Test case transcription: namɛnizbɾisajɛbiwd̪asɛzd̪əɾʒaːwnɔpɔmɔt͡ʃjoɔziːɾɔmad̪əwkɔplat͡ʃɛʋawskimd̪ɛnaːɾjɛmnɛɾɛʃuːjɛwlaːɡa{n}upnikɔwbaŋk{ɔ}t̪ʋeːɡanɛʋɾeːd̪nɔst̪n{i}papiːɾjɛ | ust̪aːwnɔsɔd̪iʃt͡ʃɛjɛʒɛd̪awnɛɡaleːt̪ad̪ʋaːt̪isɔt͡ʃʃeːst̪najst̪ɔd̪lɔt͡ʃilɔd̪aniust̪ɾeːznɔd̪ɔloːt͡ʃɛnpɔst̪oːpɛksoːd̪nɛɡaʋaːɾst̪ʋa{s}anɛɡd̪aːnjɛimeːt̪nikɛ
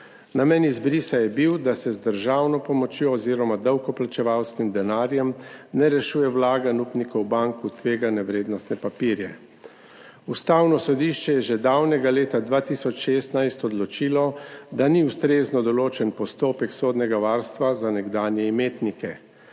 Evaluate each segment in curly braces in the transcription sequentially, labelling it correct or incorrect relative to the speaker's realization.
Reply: correct, incorrect: u, incorrect: ɛ, incorrect: z

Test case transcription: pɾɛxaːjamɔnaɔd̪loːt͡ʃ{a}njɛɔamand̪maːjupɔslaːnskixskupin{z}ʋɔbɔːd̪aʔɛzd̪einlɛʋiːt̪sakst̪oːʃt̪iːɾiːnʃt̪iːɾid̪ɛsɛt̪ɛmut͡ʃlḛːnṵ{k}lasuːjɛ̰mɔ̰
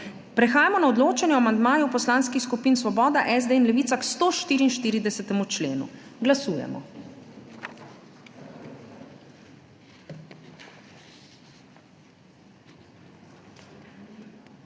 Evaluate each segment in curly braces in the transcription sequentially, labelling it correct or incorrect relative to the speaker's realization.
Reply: incorrect: ɛ, incorrect: s, incorrect: ɡ

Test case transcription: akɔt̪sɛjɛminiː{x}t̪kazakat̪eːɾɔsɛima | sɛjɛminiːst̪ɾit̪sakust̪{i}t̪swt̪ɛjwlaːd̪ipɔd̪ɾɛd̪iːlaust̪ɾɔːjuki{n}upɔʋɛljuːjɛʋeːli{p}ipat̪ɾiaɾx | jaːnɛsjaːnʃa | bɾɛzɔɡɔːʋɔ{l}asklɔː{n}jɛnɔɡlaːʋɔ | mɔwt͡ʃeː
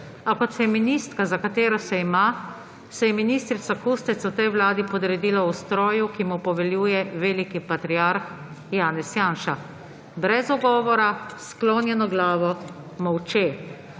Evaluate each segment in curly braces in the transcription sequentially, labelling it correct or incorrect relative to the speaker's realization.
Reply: incorrect: s, incorrect: ɛ, incorrect: m, incorrect: k, incorrect: ɾ, correct

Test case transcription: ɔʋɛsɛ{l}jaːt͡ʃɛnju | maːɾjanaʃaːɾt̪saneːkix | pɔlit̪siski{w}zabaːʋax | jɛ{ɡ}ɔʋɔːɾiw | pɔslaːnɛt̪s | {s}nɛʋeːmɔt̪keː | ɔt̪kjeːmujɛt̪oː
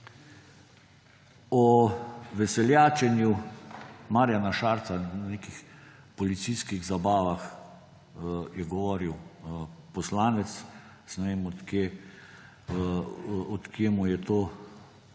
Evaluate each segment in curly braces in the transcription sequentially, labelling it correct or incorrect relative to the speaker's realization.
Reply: correct, incorrect: ɣ, correct, correct

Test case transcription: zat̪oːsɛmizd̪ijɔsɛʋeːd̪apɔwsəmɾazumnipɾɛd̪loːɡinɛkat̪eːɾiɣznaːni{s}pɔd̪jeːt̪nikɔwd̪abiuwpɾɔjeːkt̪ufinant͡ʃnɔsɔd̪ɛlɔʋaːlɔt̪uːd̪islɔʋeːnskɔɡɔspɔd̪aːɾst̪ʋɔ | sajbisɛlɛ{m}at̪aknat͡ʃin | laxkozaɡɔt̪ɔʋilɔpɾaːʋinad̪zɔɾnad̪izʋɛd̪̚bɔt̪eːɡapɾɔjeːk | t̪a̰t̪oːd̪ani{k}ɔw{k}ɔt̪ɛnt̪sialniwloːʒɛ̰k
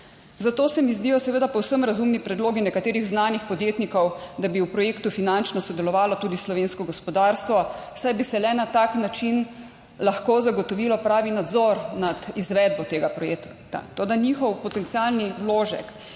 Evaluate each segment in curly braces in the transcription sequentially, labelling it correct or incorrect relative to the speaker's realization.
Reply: incorrect: x, incorrect: n, incorrect: x, incorrect: p

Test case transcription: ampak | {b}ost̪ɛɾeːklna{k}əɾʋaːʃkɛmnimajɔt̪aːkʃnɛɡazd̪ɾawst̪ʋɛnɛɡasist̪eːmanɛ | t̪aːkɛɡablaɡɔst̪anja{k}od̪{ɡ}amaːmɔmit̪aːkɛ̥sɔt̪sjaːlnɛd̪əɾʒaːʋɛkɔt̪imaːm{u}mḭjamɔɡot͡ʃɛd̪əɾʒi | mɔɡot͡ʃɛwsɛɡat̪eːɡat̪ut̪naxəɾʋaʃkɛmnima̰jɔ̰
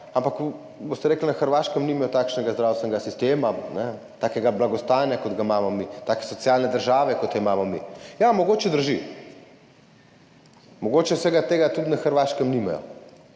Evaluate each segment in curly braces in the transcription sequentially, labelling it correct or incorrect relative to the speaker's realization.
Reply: correct, incorrect: x, correct, correct, incorrect: ɔ

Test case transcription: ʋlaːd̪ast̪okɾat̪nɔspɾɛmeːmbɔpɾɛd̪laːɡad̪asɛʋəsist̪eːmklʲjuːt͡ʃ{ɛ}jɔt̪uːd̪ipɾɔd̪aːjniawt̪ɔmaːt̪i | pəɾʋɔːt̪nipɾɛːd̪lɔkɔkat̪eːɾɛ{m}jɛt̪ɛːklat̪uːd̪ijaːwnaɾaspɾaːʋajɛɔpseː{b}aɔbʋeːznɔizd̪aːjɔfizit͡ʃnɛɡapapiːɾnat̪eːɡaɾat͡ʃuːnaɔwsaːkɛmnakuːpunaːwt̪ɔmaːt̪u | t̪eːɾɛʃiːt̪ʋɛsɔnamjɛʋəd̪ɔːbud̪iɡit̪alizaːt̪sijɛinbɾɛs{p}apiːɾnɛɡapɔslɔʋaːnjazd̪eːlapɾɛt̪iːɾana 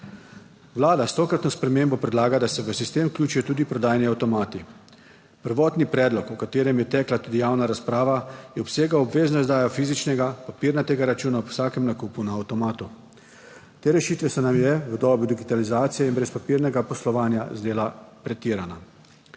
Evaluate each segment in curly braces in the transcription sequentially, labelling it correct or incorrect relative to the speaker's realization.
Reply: incorrect: i, correct, incorrect: ɡ, correct

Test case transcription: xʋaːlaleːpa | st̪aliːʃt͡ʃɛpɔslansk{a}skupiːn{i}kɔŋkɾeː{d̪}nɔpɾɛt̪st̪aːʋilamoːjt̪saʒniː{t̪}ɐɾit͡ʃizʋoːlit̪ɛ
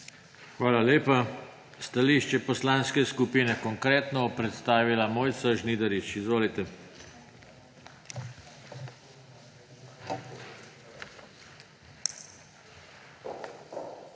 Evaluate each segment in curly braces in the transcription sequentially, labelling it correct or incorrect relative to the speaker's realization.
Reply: incorrect: ɛ, incorrect: ɛ, incorrect: t̪, incorrect: d̪

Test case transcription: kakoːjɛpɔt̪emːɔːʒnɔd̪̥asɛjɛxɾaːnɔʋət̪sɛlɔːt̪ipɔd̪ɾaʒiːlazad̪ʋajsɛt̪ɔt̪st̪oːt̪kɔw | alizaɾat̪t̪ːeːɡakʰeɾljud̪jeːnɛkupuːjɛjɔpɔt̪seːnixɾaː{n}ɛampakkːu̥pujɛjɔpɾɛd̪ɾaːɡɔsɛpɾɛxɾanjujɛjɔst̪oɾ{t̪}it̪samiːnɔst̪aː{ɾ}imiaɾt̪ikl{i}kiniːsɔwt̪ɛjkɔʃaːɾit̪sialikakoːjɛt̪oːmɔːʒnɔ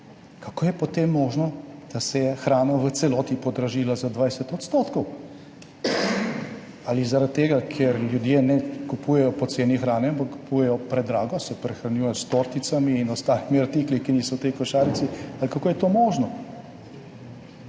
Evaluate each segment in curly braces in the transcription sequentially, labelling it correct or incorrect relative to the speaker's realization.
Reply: correct, correct, incorrect: l, correct

